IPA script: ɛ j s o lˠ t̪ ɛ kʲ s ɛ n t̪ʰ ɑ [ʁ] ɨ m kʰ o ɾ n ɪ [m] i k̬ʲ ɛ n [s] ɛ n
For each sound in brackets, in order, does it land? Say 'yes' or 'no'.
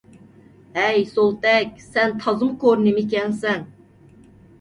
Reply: no, yes, yes

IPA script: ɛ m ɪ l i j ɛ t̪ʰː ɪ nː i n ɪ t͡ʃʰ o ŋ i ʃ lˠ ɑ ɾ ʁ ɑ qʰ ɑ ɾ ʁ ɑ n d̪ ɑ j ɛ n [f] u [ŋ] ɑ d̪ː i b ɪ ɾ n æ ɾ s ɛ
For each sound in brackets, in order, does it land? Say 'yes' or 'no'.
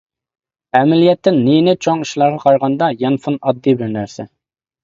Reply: yes, no

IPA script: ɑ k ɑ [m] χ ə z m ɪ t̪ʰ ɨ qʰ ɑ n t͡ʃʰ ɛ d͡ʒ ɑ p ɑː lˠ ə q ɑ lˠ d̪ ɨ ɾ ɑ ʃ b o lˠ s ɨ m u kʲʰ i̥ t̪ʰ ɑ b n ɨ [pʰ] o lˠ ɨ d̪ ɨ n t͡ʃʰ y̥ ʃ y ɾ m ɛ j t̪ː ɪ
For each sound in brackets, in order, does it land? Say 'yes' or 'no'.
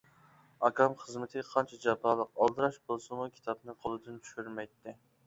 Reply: yes, no

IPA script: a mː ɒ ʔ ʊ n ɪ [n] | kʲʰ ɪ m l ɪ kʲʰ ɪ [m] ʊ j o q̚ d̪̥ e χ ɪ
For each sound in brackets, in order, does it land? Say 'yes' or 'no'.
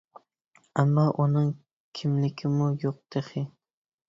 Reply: no, yes

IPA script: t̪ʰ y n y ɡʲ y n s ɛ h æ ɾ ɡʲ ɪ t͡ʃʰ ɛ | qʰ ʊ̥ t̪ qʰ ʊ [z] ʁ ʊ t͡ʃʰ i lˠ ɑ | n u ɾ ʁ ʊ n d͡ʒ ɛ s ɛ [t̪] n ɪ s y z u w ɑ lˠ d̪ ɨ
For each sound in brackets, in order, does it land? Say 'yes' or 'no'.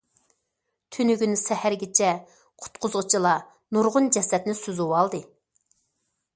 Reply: yes, yes

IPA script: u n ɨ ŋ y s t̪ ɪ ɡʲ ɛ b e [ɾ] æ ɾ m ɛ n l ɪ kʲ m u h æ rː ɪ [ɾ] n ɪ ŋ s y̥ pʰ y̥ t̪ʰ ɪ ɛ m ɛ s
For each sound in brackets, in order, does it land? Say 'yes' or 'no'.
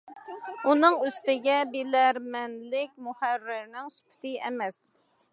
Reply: no, yes

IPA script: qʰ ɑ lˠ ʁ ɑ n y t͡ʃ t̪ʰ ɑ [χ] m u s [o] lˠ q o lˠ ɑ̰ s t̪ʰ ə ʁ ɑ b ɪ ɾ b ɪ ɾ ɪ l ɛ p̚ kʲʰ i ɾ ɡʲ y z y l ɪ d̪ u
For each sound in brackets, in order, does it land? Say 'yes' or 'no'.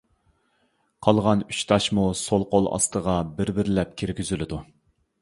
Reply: no, yes

